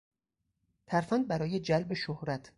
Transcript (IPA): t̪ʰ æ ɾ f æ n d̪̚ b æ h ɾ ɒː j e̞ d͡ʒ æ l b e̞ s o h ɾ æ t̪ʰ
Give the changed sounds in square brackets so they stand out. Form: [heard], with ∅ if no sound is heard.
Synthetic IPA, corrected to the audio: t̪ʰ æ ɾ f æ n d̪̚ b æ [∅] ɾ ɒː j e̞ d͡ʒ æ l b e̞ [ʃ] o h ɾ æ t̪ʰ